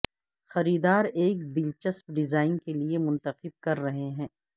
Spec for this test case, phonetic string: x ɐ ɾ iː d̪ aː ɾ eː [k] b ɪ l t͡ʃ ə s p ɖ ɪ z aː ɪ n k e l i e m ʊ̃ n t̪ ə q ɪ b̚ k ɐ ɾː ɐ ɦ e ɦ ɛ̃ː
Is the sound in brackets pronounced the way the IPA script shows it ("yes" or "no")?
yes